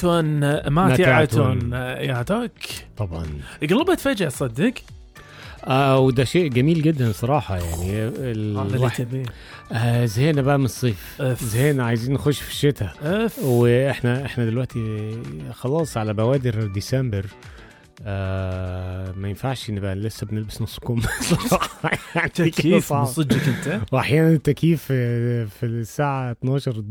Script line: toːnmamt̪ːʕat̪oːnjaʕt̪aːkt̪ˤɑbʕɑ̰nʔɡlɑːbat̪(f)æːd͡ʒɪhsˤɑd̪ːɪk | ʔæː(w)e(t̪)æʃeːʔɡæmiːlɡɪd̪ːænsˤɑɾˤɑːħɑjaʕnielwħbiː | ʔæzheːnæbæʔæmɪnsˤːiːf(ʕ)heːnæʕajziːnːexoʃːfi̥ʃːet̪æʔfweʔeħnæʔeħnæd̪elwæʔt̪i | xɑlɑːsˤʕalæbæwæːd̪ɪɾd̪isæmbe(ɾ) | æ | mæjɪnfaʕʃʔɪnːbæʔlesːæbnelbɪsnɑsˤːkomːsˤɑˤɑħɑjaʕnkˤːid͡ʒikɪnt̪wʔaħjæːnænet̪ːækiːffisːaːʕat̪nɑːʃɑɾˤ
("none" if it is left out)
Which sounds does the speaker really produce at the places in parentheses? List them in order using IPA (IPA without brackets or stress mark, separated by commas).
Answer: f, w, d̪, z, ɾ